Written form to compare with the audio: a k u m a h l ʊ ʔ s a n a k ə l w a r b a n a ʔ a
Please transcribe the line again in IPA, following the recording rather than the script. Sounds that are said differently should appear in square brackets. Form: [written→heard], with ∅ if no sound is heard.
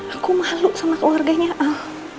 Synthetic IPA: a k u m a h l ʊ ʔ s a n a k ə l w a r [b→ɡ] a [n→ɲ] a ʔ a